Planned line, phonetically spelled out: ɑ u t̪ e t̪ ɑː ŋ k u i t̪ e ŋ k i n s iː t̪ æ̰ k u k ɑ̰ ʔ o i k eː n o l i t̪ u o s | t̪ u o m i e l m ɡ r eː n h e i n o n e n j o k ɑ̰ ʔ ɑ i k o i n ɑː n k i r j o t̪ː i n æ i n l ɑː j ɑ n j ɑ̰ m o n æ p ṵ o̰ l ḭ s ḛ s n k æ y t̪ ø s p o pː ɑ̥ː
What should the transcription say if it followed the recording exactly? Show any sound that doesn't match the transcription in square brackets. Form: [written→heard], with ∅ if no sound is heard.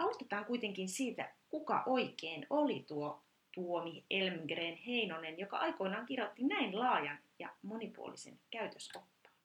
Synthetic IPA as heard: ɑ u t̪ e t̪ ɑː ŋ k u i t̪ e ŋ k i n s iː t̪ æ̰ k u k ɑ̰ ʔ o i k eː n o l i t̪ u o [s→∅] | t̪ u o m i e l m ɡ r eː n h e i n o n e n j o k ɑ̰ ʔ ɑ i k o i n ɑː [n→ŋ] k i r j o t̪ː i n æ i n l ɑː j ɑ n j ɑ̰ m o n [æ→i] p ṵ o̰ l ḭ s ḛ [s→∅] n k æ y t̪ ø s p o pː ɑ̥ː